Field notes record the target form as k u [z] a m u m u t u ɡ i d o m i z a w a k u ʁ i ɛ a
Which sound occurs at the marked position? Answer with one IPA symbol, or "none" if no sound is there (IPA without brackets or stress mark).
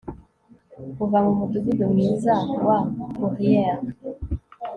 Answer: v